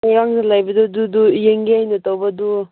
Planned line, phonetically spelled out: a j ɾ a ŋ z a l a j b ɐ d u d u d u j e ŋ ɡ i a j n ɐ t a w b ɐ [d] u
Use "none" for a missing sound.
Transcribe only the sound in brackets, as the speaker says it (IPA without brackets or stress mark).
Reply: d